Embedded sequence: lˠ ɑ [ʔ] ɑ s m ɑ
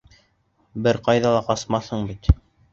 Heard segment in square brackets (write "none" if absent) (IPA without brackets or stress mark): q